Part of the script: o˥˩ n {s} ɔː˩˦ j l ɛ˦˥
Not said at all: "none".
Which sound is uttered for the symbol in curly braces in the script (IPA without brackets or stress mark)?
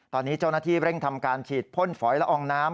f